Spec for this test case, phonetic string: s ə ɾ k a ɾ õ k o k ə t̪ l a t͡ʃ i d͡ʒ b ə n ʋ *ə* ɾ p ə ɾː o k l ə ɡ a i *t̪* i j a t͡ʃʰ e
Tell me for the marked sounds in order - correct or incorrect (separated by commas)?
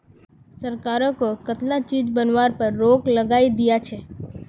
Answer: incorrect, incorrect